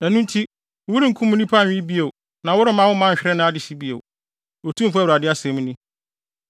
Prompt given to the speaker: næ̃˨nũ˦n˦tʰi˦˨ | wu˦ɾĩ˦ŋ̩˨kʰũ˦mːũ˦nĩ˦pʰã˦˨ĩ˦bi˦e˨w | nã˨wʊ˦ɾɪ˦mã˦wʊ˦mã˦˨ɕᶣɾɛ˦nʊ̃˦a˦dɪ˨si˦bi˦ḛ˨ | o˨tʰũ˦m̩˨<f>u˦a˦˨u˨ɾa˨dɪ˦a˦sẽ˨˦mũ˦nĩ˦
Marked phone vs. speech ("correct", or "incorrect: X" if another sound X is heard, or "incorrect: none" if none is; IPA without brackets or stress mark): correct